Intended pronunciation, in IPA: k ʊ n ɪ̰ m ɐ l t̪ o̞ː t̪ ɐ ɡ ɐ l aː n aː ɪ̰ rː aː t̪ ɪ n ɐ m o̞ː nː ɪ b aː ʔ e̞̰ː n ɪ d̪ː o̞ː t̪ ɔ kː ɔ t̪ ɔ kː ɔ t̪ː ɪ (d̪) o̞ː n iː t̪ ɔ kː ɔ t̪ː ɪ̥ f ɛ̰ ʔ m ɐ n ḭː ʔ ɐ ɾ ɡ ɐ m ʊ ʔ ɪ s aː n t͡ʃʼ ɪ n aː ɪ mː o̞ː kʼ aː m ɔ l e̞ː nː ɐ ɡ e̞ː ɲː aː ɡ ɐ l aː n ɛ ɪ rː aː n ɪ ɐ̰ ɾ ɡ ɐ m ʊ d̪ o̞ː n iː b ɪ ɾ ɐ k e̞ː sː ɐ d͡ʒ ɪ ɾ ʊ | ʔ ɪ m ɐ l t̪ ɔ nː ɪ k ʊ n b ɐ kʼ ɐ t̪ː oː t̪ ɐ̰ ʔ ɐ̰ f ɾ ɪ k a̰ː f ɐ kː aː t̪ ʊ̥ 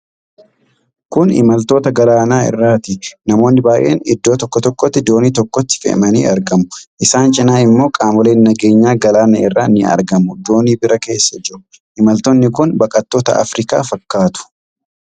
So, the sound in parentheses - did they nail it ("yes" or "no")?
yes